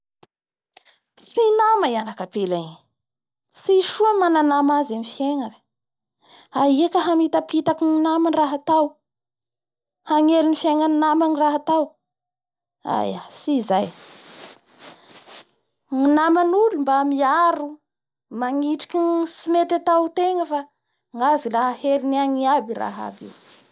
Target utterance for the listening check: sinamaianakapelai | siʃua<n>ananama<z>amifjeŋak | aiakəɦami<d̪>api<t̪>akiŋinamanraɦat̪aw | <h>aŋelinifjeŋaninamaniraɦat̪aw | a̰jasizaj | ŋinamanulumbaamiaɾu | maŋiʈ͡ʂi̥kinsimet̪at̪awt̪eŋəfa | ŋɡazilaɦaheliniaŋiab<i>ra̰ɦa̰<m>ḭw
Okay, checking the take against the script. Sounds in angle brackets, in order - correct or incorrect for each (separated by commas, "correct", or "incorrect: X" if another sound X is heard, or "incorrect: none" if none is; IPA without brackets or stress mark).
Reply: incorrect: m, correct, incorrect: t̪, correct, correct, correct, incorrect: b